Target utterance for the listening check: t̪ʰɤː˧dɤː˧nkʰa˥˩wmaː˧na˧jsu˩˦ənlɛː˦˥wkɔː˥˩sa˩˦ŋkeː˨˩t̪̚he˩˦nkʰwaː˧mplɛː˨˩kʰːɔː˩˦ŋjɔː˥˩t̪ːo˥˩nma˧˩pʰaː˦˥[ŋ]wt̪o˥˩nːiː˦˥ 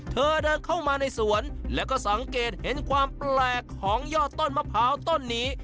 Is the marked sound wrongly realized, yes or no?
yes